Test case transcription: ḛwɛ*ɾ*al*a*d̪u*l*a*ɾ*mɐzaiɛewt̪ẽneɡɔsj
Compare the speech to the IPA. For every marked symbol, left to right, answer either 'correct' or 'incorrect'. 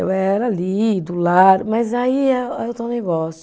correct, incorrect: i, correct, correct

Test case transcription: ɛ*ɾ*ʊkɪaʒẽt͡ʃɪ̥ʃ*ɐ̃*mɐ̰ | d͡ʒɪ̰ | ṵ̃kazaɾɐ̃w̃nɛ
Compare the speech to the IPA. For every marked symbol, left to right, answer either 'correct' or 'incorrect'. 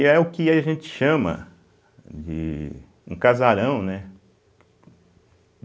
incorrect: none, correct

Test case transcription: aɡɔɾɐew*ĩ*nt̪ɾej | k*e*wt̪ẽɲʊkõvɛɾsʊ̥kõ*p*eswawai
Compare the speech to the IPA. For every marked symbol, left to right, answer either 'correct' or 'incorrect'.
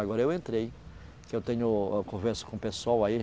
incorrect: ẽ, correct, correct

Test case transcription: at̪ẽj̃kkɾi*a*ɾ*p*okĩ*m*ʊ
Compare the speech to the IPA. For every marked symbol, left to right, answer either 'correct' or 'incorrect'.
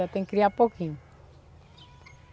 correct, correct, incorrect: ɲ

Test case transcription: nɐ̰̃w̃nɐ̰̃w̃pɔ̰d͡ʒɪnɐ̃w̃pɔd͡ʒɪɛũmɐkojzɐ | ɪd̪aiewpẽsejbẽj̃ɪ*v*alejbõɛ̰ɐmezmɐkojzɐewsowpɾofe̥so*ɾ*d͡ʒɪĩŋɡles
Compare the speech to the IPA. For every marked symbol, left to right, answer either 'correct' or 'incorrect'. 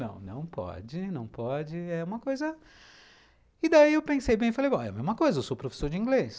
incorrect: f, correct

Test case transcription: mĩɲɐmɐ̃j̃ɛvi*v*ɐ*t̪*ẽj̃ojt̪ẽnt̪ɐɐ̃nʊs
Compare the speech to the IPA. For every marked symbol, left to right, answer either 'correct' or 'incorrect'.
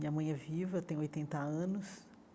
correct, correct

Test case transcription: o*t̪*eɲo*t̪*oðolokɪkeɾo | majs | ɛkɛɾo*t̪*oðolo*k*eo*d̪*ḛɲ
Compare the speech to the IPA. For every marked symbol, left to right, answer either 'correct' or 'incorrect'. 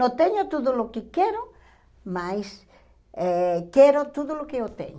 correct, correct, correct, correct, incorrect: t̪

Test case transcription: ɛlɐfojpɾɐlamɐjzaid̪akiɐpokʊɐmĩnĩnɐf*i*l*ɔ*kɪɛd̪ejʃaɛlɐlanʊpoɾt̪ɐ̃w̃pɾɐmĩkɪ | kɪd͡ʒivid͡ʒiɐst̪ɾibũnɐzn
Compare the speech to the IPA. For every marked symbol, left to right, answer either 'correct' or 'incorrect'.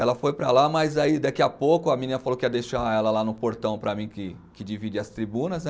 incorrect: a, incorrect: o

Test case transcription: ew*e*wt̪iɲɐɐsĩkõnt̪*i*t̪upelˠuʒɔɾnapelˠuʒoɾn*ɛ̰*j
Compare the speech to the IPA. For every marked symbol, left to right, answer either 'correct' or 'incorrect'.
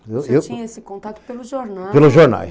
correct, incorrect: a, incorrect: a̰

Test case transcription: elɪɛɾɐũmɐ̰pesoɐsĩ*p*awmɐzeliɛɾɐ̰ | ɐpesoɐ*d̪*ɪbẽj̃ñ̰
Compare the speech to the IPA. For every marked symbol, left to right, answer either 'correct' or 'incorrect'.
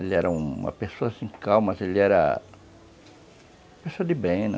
incorrect: k, correct

